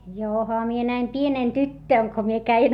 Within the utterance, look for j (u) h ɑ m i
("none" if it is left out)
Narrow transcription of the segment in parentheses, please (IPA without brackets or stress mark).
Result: o